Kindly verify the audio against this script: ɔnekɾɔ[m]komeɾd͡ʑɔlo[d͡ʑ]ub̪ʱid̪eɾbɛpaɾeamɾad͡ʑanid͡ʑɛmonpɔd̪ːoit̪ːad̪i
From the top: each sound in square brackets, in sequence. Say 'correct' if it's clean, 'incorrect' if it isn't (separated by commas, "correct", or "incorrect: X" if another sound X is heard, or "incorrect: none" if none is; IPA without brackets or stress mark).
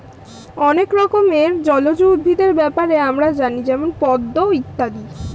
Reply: incorrect: none, correct